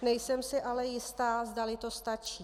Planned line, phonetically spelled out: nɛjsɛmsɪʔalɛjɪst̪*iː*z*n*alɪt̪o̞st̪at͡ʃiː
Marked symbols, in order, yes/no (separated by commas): no, no